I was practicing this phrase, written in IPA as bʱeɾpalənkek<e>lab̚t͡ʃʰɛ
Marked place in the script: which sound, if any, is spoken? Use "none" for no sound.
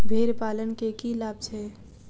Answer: i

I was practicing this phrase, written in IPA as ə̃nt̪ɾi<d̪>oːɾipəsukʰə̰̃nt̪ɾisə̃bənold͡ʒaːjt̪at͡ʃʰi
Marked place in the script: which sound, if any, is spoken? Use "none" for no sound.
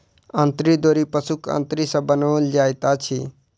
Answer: d̪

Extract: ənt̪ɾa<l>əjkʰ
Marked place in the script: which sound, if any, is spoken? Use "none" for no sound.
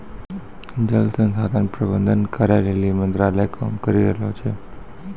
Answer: l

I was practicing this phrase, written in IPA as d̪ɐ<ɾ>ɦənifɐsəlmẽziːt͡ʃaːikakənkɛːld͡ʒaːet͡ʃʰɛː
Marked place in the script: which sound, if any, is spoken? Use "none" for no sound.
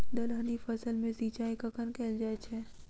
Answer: l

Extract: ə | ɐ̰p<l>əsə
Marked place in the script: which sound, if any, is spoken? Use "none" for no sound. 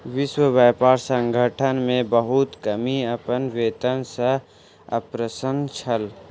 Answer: ɾ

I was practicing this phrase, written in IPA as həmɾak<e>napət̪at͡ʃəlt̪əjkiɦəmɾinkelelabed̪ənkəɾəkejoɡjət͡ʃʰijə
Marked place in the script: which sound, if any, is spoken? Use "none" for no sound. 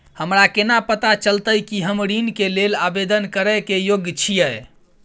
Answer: e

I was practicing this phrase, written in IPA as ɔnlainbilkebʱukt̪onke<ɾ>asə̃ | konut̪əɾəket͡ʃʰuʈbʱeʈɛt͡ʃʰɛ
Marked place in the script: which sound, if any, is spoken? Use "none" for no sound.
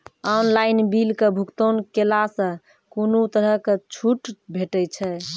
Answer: l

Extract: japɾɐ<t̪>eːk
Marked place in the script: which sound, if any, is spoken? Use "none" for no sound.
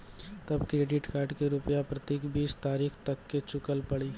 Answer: t̪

